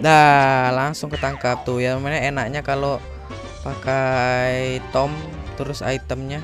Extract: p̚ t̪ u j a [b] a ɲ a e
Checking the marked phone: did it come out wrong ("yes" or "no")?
yes